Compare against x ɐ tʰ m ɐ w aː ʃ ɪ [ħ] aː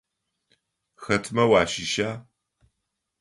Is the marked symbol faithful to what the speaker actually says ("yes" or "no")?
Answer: no